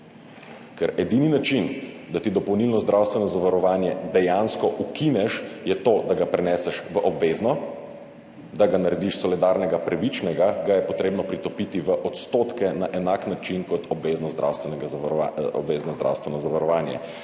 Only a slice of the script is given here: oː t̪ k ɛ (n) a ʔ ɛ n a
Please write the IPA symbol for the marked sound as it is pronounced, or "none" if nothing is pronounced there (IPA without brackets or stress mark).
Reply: n